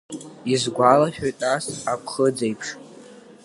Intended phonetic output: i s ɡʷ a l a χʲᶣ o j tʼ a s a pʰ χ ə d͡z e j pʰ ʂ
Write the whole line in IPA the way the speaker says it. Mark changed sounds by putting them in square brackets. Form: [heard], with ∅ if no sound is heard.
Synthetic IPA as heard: i [z] ɡʷ a l a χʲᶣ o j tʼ a s a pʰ χ ə d͡z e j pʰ ʂ